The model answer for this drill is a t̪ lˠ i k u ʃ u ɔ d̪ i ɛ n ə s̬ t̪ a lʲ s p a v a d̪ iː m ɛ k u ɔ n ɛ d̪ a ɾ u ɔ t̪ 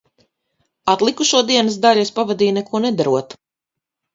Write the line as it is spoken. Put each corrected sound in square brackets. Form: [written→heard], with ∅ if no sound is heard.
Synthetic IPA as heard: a t̪ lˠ i k u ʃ u ɔ d̪ i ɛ n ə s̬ [t̪→d̪] a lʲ s p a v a d̪ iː [m→n] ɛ k u ɔ n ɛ d̪ a ɾ u ɔ t̪